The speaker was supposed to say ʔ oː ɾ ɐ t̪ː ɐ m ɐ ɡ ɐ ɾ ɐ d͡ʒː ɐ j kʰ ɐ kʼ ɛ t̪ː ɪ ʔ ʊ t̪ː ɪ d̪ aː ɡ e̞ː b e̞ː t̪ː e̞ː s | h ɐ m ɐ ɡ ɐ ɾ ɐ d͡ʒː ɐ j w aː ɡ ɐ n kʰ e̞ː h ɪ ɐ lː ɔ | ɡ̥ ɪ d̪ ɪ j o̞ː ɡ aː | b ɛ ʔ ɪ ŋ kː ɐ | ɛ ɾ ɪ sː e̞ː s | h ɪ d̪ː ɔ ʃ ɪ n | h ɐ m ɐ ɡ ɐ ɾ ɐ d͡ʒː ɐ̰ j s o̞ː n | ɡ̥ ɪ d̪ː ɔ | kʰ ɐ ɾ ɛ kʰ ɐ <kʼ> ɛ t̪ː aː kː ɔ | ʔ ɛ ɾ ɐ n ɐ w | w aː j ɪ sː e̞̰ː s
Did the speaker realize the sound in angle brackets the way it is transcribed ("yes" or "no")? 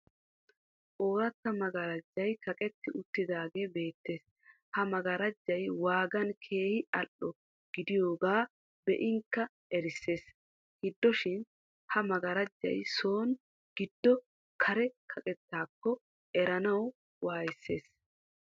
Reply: yes